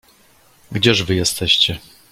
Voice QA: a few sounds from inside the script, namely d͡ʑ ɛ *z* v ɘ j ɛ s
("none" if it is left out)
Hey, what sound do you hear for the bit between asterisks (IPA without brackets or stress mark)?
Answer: ʐ